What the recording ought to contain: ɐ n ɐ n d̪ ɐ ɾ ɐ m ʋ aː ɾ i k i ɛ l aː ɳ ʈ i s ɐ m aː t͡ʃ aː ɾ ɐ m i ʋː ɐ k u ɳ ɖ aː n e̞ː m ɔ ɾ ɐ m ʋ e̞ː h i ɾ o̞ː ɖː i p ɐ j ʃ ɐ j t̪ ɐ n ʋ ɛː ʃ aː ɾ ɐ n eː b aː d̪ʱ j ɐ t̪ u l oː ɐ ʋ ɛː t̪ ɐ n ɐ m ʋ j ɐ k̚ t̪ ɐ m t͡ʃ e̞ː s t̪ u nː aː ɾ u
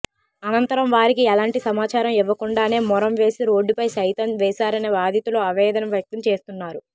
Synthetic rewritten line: ɐ n ɐ n t̪ ɐ ɾ ɐ m ʋ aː ɾ i k i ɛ l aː ɳ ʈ i s ɐ m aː t͡ʃ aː ɾ ɐ m i ʋː ɐ k u ɳ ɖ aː n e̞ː m ɔ ɾ ɐ m ʋ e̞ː s i ɾ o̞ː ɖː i p ɐ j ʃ ɐ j t̪ ɐ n ʋ ɛː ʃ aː ɾ ɐ n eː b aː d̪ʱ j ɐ t̪ u l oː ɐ ʋ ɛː d̪ ɐ n ɐ m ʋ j ɐ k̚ t̪ ɐ m t͡ʃ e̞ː s t̪ u nː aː ɾ u